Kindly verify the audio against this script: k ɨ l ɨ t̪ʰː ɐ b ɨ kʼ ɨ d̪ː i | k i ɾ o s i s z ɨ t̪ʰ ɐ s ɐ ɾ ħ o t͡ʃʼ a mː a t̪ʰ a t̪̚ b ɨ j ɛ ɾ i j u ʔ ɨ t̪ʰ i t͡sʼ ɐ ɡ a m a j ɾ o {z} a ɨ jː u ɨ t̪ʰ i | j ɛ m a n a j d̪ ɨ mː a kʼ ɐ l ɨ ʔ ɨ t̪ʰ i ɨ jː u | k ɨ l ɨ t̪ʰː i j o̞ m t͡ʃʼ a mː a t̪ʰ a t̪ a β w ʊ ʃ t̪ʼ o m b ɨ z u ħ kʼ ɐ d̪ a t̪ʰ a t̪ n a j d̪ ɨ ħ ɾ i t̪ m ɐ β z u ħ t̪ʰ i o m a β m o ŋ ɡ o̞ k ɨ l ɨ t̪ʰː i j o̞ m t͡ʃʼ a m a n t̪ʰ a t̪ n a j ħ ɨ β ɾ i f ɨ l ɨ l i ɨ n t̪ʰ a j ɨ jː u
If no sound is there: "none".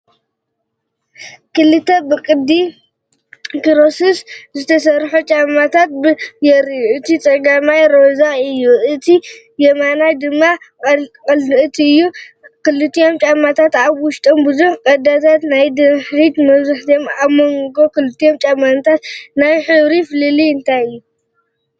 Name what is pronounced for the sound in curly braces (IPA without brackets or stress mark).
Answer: z